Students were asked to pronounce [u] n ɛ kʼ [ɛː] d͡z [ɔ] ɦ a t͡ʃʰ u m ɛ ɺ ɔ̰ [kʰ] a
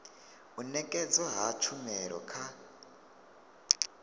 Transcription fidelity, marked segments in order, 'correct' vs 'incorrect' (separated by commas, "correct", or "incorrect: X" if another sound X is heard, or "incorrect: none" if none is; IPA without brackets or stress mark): correct, incorrect: ɛ, correct, correct